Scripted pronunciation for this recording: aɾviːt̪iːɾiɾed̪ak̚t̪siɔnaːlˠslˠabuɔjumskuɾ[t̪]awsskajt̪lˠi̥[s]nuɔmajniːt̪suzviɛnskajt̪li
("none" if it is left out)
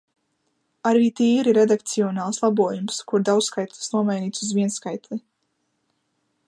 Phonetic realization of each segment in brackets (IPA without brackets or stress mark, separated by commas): d̪, s